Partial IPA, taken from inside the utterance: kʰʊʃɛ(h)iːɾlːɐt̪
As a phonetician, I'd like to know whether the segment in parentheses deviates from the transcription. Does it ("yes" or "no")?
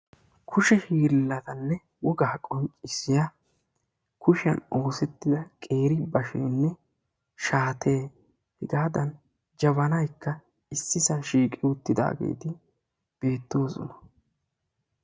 no